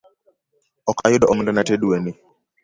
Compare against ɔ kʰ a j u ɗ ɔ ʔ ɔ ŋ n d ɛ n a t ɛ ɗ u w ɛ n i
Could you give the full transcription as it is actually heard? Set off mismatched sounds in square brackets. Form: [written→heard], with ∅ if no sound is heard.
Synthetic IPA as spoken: ɔ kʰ a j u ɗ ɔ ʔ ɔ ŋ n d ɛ n a t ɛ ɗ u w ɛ n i